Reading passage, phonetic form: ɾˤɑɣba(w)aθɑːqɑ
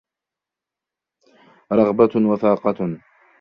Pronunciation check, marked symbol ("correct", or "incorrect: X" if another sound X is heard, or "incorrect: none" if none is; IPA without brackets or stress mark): correct